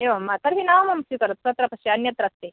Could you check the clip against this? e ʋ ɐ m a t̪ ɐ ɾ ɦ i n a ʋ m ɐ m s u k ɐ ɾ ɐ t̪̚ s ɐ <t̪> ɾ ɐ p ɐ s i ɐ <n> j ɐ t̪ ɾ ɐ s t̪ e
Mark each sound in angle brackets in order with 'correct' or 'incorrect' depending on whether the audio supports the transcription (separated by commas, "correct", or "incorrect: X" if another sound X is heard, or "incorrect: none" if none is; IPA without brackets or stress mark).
correct, correct